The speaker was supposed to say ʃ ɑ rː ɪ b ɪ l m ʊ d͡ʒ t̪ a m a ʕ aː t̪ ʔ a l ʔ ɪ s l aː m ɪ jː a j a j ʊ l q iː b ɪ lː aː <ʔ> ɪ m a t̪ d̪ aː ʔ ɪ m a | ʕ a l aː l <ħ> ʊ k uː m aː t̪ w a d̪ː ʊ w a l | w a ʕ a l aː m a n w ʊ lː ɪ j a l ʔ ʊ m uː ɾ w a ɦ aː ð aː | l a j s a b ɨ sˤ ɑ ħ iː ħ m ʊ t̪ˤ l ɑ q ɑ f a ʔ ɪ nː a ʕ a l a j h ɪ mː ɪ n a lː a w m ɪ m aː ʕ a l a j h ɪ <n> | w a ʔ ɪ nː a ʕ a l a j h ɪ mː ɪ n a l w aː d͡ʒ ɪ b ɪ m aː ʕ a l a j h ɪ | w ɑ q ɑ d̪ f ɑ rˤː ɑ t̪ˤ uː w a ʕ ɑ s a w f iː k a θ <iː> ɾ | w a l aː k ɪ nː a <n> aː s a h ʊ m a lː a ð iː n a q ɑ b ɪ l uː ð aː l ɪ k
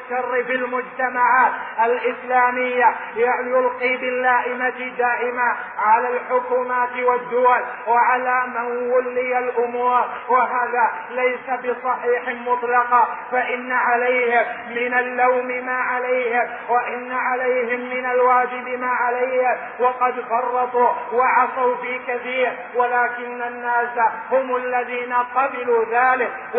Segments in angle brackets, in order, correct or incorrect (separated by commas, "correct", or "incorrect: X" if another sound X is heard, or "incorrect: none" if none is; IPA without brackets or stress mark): correct, correct, incorrect: m, correct, incorrect: nː